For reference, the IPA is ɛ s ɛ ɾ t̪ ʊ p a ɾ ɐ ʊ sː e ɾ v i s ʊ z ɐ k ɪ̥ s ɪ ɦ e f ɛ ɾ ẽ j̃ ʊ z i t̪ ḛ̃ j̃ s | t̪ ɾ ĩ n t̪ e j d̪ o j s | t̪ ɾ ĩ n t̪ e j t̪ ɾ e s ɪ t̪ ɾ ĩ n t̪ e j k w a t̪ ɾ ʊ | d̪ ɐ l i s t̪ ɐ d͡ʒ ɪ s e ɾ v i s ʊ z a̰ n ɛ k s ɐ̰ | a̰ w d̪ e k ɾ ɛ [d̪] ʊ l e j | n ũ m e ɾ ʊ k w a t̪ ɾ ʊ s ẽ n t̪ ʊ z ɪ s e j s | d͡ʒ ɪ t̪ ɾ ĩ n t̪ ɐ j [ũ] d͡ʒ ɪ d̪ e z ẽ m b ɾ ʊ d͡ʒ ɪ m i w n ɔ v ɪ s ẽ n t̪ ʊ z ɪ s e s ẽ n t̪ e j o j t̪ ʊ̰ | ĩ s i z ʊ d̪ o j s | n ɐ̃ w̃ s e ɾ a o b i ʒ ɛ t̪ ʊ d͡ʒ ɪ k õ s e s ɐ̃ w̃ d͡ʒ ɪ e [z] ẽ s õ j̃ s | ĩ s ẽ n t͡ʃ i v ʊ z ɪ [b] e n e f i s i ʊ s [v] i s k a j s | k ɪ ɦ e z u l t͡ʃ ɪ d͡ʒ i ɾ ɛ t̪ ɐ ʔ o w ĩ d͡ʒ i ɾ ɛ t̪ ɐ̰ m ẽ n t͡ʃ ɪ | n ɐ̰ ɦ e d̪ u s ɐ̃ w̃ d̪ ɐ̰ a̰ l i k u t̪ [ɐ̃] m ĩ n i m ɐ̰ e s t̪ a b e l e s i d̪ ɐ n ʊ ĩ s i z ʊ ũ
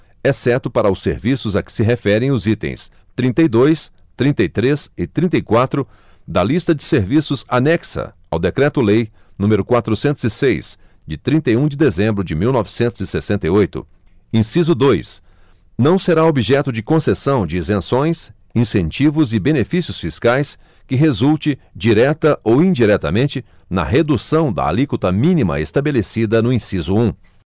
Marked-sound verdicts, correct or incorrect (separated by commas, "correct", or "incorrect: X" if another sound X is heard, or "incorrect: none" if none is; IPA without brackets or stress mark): incorrect: t̪, correct, correct, correct, incorrect: f, incorrect: ɐ